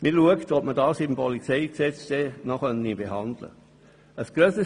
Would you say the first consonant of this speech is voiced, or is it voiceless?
voiced